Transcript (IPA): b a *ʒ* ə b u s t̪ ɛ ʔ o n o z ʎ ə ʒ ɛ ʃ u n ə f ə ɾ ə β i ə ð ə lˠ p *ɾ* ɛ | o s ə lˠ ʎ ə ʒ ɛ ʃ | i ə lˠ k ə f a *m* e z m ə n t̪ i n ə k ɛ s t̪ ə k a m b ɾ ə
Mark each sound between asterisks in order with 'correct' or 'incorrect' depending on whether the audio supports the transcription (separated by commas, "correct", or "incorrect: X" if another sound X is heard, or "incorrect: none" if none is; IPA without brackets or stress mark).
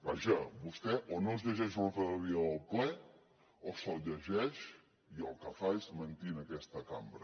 correct, incorrect: l, incorrect: none